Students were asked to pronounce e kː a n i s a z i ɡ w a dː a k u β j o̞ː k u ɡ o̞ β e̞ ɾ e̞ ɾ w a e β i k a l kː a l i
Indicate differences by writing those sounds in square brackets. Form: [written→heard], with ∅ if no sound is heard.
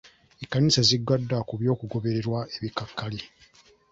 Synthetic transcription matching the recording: e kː a n i s a z i ɡ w a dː a k u β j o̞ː k u ɡ o̞ β e̞ ɾ e̞ ɾ w a e β i k a [l→∅] kː a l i